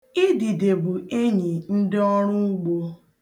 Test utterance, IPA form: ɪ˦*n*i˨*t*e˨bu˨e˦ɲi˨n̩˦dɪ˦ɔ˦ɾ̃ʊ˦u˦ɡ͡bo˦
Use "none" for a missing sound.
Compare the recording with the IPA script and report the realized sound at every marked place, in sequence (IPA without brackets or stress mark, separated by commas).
d, d